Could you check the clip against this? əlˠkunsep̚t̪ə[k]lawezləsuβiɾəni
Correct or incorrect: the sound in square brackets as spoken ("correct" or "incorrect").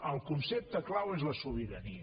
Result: correct